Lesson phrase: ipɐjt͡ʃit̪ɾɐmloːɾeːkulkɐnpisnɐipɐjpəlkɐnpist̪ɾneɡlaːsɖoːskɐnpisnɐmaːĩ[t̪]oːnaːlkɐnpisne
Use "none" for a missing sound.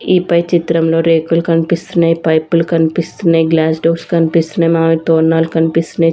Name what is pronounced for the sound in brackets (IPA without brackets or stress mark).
t̪